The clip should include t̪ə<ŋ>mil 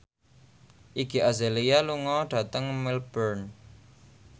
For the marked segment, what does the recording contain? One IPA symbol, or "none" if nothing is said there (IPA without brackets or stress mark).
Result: ŋ